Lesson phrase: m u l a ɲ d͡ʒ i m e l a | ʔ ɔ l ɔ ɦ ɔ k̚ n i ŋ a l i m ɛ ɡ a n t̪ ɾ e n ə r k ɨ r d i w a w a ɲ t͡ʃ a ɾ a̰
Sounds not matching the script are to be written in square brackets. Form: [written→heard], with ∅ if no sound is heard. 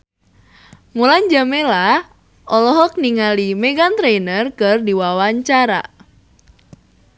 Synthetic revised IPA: m u l a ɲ d͡ʒ [i→a] m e l a | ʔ ɔ l ɔ ɦ ɔ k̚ n i ŋ a l i m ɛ ɡ a n t̪ ɾ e n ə r k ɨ r d i w a w a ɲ t͡ʃ a ɾ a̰